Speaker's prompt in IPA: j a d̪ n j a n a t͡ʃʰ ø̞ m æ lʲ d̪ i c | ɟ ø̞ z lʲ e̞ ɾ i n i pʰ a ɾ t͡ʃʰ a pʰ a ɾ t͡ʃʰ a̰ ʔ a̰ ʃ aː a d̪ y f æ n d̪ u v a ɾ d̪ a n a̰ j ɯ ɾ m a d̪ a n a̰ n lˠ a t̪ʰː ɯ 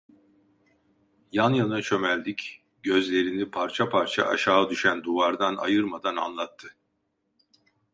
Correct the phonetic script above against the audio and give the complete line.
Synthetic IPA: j a n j a n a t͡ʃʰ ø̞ m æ lʲ d̪ i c | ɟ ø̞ z lʲ e̞ ɾ i n i pʰ a ɾ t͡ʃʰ a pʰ a ɾ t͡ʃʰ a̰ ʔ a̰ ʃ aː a d̪ y ʃ æ n d̪ u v a ɾ d̪ a n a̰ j ɯ ɾ m a d̪ a n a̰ n lˠ a t̪ʰː ɯ